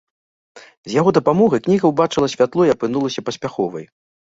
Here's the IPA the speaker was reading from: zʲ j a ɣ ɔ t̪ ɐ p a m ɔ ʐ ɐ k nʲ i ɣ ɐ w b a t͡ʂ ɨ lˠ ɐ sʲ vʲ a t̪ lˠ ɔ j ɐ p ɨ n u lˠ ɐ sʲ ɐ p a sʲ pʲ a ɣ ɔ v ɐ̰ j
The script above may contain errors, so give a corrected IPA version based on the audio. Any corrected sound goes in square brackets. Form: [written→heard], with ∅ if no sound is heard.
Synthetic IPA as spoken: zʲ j a ɣ ɔ [t̪→d̪] ɐ p a m ɔ [ʐ→ɣ] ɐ k nʲ i ɣ ɐ w b a t͡ʂ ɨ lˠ ɐ sʲ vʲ a t̪ lˠ ɔ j ɐ p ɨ n u lˠ ɐ sʲ ɐ p [a→ɐ] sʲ pʲ a [ɣ→x] ɔ v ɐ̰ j